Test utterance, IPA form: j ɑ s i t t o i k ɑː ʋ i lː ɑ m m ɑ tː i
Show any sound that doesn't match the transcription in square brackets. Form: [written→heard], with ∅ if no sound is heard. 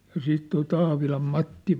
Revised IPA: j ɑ s [i→iː] t t o i [k→t] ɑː ʋ i [lː→l] ɑ m m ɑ tː i

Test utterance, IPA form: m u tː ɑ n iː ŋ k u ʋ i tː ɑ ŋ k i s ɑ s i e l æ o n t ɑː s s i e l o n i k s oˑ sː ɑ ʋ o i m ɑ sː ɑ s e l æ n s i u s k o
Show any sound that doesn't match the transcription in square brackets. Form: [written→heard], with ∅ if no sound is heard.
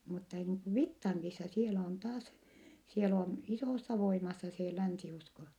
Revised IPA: m u tː ɑ n iː ŋ k u ʋ i tː ɑ ŋ k i s ɑ s i e l æ o n t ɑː s s i e l o n i [k→∅] s oˑ sː ɑ ʋ o i m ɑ sː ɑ s e l æ n s i u s k o

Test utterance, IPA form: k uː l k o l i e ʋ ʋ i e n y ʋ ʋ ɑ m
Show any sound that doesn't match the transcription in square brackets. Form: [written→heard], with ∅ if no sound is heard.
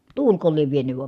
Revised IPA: [k→t] uː l k o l i e ʋ ʋ i e n y ʋ ʋ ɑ m

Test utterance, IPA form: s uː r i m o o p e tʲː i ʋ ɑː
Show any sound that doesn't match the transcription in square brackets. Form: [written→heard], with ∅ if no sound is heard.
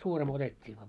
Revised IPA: s uː r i m o o [p→t] e tʲː [i→iː] ʋ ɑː

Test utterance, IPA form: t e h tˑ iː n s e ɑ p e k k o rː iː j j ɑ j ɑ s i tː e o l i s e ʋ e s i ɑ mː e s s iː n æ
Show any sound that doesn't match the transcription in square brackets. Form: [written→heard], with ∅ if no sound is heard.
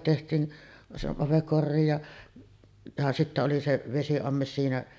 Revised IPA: t e h tˑ iː n s e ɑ p e k k o rː iː j j ɑ j ɑ s i tː [e→æ] o l i s e ʋ e s i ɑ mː e s s iː n æ

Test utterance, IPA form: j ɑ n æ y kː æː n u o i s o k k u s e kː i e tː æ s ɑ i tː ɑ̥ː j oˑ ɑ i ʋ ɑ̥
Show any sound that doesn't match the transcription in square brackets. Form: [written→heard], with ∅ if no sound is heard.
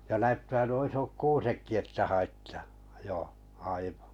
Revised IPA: j ɑ n æ y [kː→tː] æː n u o i s o k k [u→uː] s e kː i e tː æ [s→h] ɑ i tː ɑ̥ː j oˑ ɑ i ʋ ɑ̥

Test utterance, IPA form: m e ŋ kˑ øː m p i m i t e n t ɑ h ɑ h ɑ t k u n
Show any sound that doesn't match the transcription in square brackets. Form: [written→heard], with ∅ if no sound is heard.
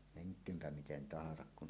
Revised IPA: m e ŋ kˑ øː m p [i→æ] m i t e n t ɑ h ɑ [h→s] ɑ [t→k] k u n

